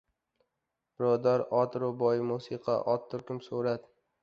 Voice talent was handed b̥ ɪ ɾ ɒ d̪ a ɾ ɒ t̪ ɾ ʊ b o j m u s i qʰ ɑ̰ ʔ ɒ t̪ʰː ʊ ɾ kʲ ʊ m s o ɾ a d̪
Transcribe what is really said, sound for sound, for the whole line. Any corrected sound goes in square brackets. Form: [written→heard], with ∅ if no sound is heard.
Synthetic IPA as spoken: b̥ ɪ ɾ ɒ d̪ a ɾ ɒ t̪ ɾ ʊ b [o→ɒ] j m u s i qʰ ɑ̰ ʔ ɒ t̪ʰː ʊ ɾ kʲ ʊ m s o ɾ a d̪